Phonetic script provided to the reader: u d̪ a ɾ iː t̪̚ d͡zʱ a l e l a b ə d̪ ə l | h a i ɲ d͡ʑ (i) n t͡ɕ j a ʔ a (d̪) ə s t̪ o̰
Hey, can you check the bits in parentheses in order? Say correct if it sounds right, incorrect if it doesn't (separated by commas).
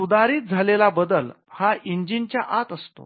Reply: correct, incorrect